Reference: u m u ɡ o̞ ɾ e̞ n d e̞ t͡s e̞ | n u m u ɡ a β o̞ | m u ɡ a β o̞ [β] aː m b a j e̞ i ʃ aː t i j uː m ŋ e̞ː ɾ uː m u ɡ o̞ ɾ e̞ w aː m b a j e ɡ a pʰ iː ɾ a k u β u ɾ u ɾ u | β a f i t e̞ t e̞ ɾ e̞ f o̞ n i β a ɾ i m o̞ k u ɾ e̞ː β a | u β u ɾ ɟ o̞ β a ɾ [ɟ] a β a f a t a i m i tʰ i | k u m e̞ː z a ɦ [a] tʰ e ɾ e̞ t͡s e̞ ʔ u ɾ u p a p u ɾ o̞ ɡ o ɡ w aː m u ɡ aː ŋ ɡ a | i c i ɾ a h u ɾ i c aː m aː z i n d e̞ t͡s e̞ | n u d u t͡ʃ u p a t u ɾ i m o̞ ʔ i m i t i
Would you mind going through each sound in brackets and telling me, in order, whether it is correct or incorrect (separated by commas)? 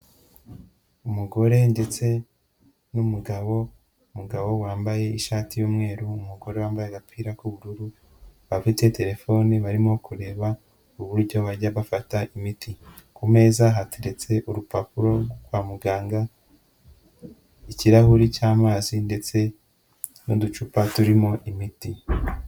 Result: incorrect, correct, correct